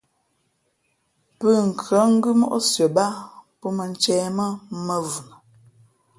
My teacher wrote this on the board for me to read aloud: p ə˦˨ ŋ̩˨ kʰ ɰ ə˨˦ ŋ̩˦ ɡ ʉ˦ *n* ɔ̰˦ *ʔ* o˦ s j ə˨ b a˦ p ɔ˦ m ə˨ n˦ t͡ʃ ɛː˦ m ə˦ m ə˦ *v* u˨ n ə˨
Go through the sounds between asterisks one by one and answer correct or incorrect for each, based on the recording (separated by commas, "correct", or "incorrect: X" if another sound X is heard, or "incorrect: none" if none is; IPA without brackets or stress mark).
incorrect: m, correct, correct